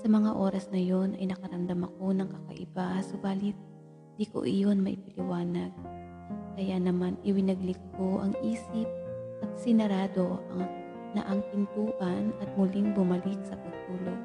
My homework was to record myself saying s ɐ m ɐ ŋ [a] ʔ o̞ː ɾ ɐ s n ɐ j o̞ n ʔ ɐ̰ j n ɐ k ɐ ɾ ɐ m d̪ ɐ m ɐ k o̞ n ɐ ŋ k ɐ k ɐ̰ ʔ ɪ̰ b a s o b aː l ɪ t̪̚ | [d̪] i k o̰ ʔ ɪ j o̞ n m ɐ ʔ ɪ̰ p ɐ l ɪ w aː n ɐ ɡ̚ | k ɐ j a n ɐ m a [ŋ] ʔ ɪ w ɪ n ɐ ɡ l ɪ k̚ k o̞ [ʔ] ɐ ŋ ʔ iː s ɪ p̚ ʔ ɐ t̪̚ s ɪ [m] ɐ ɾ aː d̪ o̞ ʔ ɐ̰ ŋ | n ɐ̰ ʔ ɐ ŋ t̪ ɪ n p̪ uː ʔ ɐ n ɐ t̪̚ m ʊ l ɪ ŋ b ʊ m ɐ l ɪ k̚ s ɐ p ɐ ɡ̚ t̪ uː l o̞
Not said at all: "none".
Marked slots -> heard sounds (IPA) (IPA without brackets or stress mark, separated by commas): a, d̪, n, ʔ, n